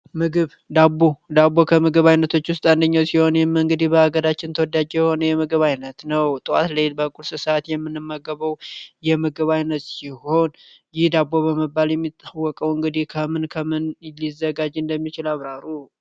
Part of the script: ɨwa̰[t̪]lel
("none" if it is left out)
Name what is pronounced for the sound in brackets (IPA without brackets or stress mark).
t̪